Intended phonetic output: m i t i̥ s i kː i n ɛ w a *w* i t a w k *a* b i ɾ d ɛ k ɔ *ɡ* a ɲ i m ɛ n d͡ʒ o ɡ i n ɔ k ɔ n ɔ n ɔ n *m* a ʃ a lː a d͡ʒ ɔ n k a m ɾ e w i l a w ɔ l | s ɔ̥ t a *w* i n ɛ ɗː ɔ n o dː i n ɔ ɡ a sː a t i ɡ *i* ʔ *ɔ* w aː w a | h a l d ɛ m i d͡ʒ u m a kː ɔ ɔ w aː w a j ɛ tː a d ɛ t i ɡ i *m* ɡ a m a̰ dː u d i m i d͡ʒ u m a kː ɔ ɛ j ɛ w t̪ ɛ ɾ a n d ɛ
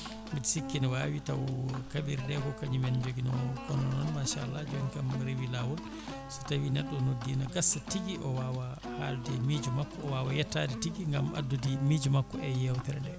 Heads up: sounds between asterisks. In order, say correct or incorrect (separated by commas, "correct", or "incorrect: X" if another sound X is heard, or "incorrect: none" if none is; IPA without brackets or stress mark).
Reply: correct, correct, incorrect: k, correct, correct, correct, correct, incorrect: ŋ